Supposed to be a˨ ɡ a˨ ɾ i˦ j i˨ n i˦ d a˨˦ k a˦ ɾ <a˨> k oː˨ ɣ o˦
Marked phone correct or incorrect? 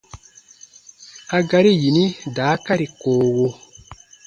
incorrect